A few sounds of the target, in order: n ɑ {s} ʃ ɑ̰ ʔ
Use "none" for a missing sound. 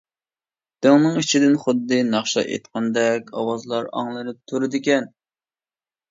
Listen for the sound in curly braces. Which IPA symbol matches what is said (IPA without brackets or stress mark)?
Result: χ